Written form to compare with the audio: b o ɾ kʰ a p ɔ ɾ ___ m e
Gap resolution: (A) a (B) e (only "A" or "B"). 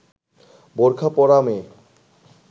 A